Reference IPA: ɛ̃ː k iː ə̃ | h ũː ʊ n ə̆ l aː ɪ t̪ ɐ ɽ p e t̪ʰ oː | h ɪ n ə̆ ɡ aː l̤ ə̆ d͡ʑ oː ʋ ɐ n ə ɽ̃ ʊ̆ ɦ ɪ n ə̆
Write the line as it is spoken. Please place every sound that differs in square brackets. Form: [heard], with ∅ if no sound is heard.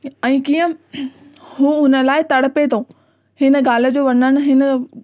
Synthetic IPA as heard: ɛ̃ː k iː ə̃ | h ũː ʊ n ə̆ l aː ɪ t̪ ɐ ɽ p e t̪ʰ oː | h ɪ n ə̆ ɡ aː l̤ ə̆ d͡ʑ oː ʋ ɐ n ə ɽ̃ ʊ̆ ɦ ɪ n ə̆